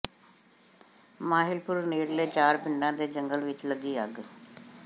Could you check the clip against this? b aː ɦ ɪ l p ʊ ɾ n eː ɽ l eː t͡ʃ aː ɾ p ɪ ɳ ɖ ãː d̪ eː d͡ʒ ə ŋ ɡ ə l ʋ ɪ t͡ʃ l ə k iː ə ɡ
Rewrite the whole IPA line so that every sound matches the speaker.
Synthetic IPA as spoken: m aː ɦ ɪ l p ʊ ɾ n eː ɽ l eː t͡ʃ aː ɾ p ɪ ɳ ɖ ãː d̪ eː d͡ʒ ə ŋ ɡ ə l ʋ ɪ t͡ʃ l ə ɡ iː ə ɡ